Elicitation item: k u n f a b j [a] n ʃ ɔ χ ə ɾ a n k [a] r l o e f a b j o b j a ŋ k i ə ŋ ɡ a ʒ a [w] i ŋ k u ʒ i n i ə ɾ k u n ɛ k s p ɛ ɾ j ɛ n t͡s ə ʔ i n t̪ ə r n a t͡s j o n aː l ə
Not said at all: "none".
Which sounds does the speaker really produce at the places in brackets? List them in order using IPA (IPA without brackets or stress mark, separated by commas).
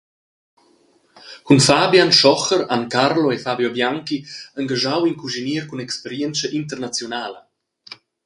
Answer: a, a, w